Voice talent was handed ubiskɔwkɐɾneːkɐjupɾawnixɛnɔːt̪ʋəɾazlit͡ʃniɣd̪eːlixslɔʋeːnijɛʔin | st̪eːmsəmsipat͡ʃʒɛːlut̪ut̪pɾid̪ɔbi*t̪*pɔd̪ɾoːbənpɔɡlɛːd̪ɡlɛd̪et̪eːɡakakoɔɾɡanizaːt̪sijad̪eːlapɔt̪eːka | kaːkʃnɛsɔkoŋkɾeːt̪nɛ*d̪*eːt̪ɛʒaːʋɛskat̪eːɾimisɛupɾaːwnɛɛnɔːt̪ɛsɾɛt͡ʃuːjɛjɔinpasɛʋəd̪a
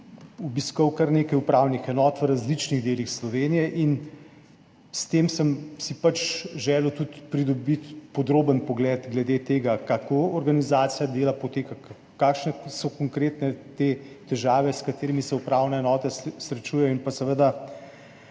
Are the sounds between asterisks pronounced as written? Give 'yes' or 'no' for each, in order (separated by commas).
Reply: yes, no